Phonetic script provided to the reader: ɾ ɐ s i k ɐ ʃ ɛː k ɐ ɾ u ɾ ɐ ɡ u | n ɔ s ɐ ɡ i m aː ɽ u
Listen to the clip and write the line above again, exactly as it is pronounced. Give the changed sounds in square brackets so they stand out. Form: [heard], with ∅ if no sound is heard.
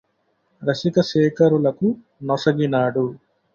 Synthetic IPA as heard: ɾ ɐ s i k ɐ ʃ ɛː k ɐ ɾ u [l] ɐ [k] u | n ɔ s ɐ ɡ i [n] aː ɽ u